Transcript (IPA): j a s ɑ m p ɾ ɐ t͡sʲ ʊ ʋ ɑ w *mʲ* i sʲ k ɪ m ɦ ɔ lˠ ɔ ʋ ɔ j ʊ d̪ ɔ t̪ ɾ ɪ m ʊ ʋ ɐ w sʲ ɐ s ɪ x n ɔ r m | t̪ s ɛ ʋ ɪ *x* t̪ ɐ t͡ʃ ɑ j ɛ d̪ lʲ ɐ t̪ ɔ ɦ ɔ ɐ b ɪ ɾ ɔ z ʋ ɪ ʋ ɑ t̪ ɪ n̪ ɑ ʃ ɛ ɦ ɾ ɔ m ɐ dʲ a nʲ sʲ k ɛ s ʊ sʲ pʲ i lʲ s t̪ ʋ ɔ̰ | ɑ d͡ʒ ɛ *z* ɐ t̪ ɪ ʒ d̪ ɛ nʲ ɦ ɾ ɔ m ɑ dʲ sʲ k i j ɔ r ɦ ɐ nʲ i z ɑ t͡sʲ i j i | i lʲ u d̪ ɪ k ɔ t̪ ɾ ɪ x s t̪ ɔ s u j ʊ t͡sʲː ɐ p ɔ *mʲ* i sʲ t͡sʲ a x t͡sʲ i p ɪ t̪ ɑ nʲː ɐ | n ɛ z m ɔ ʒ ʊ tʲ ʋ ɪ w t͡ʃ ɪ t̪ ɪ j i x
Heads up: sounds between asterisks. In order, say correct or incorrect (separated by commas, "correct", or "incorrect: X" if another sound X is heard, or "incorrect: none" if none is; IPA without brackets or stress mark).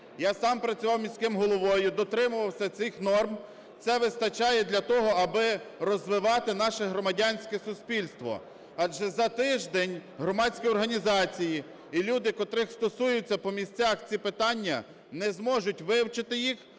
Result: correct, incorrect: s, correct, correct